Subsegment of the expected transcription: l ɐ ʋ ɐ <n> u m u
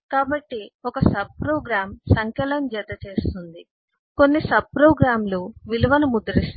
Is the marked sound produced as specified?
yes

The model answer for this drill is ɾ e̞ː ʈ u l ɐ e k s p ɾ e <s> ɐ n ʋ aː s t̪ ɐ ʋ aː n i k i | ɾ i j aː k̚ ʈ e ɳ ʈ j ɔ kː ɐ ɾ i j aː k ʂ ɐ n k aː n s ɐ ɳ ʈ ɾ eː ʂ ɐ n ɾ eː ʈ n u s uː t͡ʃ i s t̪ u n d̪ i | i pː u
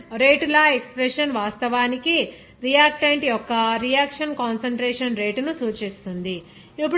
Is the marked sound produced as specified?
no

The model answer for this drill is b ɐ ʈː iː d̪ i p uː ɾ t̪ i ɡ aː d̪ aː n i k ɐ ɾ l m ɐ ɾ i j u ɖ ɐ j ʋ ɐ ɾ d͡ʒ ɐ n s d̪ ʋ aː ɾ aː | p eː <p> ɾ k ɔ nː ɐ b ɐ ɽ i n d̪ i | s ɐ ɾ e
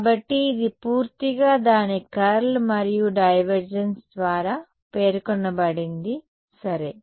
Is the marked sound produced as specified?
no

